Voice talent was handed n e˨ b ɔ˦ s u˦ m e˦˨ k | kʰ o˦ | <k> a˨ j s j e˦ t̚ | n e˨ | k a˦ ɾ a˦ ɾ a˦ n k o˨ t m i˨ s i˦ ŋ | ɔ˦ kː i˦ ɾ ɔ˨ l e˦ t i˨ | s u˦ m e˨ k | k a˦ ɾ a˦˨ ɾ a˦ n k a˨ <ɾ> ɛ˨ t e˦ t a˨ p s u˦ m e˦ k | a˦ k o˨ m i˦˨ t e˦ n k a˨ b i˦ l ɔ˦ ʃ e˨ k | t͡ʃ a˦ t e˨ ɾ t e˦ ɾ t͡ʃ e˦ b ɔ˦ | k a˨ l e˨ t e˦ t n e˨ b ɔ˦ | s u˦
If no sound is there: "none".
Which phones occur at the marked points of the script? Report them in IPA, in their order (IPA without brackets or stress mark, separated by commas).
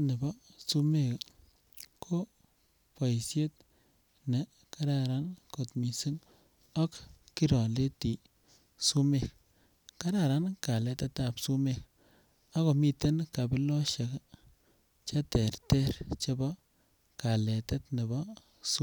p, l